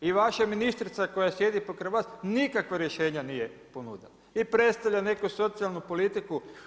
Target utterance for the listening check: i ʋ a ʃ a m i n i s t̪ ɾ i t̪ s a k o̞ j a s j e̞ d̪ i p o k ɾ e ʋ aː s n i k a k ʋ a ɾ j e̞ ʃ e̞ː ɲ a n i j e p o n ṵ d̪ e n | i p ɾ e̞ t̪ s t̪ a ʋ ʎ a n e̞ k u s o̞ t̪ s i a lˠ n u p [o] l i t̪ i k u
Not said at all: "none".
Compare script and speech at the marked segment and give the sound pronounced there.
o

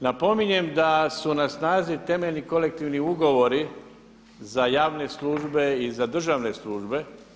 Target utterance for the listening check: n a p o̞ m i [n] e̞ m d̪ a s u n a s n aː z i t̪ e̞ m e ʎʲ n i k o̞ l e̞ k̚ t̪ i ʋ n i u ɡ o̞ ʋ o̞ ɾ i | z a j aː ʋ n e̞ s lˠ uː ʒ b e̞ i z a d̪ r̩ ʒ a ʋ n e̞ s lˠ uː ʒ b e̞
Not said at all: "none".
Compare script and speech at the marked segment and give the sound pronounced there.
ɲ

